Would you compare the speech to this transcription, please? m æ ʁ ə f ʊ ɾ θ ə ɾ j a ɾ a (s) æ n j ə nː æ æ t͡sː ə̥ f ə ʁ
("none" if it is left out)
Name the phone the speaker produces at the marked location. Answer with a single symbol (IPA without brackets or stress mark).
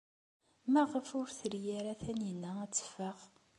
θ